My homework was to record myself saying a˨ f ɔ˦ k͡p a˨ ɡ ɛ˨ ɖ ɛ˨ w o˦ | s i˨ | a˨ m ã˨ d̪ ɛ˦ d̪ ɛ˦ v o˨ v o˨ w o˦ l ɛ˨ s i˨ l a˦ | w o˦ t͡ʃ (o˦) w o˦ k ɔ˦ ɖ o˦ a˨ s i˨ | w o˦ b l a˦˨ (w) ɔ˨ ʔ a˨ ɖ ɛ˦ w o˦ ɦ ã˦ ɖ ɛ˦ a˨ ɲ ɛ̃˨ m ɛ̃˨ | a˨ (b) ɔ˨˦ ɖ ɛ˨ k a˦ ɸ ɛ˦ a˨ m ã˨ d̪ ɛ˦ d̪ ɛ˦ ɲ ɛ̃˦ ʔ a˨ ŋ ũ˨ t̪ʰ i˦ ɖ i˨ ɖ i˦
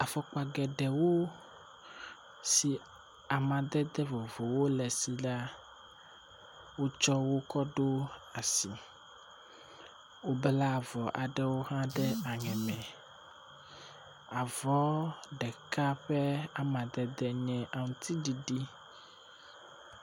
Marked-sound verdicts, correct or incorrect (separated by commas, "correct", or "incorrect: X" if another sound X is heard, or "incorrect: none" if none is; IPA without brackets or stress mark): incorrect: ɔ˦, incorrect: v, incorrect: v